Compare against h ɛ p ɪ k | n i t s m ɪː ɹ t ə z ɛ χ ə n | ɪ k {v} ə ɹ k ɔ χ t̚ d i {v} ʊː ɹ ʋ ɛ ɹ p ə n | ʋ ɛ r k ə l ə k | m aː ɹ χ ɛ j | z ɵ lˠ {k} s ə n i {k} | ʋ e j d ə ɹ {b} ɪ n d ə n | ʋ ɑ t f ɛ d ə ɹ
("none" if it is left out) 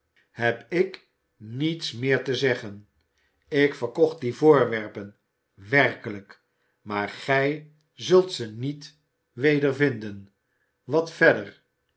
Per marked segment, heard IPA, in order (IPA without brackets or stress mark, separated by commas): f, v, t, t, v